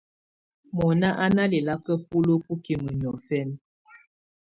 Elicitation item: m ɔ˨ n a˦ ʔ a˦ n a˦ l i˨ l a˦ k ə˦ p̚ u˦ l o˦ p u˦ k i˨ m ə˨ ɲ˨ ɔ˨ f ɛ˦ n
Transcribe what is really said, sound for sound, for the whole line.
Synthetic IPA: m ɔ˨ n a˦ ʔ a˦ n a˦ l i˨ l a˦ k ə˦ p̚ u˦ l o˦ p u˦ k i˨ m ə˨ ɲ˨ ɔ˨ f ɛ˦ n